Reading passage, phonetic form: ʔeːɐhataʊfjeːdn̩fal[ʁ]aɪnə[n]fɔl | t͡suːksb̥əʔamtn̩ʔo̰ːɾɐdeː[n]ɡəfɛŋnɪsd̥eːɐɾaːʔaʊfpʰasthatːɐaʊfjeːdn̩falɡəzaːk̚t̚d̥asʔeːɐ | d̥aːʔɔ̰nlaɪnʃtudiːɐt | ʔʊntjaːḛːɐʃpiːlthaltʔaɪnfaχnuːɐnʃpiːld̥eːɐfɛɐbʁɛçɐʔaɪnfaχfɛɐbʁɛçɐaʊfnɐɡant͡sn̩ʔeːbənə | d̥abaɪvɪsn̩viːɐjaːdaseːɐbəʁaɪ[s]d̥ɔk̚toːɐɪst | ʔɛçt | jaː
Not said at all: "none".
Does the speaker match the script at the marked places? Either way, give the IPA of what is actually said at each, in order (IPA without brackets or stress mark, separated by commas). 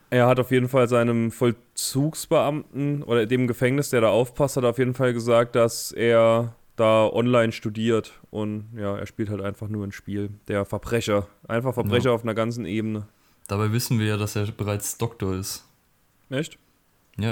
z, m, m, t͡s